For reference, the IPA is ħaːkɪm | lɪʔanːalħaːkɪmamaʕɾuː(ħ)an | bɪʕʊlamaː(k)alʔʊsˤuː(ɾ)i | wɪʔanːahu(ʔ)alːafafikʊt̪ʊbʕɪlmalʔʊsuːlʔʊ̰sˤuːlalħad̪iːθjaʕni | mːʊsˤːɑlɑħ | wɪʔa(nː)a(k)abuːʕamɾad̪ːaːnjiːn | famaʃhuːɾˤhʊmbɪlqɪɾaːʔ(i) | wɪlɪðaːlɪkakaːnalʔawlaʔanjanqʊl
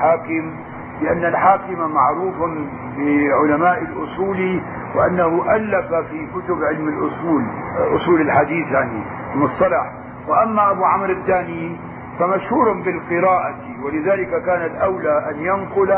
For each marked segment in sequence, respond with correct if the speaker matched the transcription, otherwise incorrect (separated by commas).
incorrect, incorrect, incorrect, correct, incorrect, incorrect, incorrect